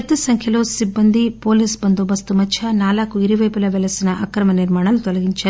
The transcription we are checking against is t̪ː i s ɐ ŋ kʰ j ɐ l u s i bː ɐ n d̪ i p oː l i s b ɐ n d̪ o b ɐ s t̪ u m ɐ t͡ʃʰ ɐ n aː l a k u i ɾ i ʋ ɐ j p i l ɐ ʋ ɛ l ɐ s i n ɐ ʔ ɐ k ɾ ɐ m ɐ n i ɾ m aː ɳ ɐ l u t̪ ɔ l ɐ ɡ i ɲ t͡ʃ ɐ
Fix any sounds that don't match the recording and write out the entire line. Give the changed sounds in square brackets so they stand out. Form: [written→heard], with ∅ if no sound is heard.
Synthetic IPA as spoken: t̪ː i s ɐ ŋ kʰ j ɐ l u s i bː ɐ n d̪ i p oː l i s b ɐ n d̪ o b ɐ s t̪ u m ɐ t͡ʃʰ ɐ n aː l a k u i ɾ i ʋ ɐ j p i l ɐ ʋ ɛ l ɐ s i n ɐ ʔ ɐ k ɾ ɐ m ɐ n i ɾ m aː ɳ ɐ l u t̪ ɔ l ɐ ɡ i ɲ t͡ʃ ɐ